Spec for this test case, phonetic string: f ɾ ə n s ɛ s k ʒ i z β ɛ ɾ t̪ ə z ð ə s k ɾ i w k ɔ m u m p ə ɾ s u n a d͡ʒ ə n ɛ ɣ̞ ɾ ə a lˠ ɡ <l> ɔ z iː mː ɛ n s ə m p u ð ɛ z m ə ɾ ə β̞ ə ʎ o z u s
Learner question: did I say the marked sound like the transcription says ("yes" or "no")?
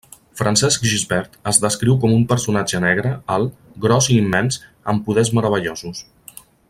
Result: no